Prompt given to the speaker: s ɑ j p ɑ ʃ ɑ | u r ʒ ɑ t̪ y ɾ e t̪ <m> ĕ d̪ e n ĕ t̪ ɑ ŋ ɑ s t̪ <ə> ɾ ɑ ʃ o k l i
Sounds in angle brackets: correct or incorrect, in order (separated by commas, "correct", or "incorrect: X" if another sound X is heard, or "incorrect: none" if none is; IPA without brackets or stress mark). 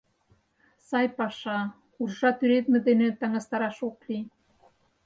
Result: correct, incorrect: ɑ